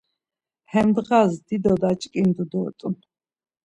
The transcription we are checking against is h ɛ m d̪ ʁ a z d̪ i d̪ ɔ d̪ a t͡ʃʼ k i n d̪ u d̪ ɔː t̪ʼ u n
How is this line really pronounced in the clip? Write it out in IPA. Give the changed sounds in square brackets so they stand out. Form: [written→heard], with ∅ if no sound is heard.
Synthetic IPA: h ɛ m d̪ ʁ a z d̪ i d̪ ɔ d̪ a t͡ʃʼ [k→kʼ] i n d̪ u d̪ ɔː t̪ʼ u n